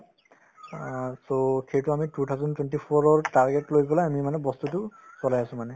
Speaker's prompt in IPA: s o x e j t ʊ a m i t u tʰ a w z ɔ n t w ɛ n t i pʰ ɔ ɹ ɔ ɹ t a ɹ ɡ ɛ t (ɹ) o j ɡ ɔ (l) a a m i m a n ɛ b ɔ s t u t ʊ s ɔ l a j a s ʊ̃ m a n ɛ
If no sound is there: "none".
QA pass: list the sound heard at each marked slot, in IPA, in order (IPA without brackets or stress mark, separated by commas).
l, l